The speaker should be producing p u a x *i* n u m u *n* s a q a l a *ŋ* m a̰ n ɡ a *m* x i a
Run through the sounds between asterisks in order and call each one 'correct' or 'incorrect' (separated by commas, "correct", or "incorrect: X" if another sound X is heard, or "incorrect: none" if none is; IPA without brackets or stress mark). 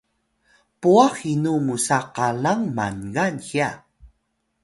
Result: correct, incorrect: none, correct, incorrect: n